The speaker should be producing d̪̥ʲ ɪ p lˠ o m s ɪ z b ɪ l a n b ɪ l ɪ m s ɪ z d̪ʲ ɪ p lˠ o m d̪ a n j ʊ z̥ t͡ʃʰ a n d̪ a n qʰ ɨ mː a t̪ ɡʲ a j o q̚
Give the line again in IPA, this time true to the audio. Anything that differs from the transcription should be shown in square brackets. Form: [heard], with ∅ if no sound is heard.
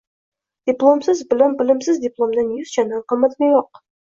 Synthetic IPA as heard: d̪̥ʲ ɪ p lˠ o m s ɪ z b ɪ l a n b ɪ l ɪ m s ɪ z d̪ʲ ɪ p lˠ o m d̪ a n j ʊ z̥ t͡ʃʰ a n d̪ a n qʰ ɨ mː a t̪ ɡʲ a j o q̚

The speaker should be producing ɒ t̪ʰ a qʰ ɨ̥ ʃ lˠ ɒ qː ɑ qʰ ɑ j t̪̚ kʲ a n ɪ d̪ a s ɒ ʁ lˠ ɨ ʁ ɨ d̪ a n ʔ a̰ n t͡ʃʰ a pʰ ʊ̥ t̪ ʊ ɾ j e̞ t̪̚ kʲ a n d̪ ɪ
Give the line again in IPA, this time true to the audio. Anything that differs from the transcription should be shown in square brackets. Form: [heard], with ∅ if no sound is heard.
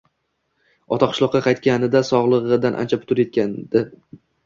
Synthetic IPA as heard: ɒ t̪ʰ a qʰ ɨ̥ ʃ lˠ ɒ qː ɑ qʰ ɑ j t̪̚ kʲ a n ɪ d̪ a s ɒ ʁ lˠ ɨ ʁ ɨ d̪ a n ʔ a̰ n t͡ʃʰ a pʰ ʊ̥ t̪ ʊ ɾ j e̞ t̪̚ kʲ a n d̪ ɪ

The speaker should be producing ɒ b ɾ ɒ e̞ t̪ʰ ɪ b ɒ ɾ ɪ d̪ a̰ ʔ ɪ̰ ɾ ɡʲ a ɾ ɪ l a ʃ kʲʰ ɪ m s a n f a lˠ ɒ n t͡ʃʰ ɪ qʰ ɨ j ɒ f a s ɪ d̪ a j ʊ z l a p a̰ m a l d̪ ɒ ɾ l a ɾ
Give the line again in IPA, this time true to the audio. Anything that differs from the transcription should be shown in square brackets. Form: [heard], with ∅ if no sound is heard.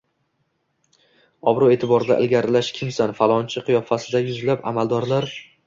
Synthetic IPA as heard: ɒ b ɾ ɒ e̞ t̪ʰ ɪ b ɒ ɾ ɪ d̪ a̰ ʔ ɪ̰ [l] ɡʲ a ɾ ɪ l a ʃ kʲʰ ɪ m s a n f a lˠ ɒ n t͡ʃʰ ɪ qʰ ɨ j ɒ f a s ɪ d̪ a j ʊ z l a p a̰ m a l d̪ ɒ ɾ l a ɾ

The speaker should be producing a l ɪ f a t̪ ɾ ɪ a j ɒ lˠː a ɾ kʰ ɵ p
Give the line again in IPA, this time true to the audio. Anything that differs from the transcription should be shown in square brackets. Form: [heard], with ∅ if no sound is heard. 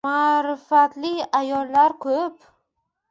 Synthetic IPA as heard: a [ɾ] ɪ f a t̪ [l] ɪ a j ɒ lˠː a ɾ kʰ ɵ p

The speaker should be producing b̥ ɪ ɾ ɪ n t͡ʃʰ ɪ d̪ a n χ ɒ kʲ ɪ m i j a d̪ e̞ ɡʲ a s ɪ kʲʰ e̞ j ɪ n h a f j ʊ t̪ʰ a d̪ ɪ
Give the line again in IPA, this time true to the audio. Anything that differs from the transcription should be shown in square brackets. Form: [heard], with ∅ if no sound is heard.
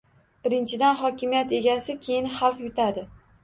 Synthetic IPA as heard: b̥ ɪ ɾ ɪ n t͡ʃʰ ɪ d̪ a n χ ɒ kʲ ɪ m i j a [t̪] e̞ ɡʲ a s ɪ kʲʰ e̞ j ɪ n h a f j ʊ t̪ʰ a d̪ ɪ

